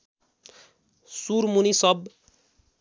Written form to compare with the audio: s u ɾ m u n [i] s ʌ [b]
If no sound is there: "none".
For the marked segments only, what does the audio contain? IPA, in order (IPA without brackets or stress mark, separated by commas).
i, b